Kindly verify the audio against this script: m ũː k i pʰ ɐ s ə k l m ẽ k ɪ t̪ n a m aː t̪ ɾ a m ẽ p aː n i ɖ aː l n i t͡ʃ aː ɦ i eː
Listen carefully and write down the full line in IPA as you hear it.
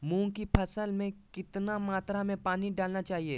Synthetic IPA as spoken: m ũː k i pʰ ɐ s ə l m ẽ k ɪ t̪ n a m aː t̪ ɾ a m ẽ p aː n i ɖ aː l n a t͡ʃ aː ɦ i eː